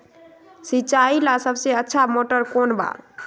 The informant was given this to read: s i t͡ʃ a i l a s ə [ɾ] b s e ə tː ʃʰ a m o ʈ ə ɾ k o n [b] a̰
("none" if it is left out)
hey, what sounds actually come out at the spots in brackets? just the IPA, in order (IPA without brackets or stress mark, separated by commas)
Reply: none, b